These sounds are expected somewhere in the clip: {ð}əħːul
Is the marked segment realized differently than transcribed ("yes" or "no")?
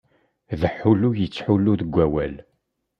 no